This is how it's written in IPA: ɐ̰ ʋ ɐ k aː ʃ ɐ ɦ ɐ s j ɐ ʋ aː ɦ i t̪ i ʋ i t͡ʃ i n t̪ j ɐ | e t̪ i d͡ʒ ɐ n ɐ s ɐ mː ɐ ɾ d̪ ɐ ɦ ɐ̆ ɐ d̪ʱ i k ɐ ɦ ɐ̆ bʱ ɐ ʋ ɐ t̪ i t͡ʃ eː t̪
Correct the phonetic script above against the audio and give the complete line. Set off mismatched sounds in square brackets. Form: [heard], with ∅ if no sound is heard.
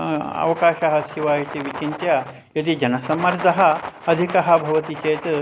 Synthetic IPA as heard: ɐ̰ ʋ ɐ k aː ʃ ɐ ɦ ɐ s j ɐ ʋ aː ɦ i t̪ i ʋ i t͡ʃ i n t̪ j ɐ | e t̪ i d͡ʒ ɐ n ɐ s ɐ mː ɐ ɾ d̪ ɐ ɦ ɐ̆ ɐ d̪ʱ i k ɐ ɦ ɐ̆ bʱ ɐ ʋ ɐ t̪ i t͡ʃ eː t̪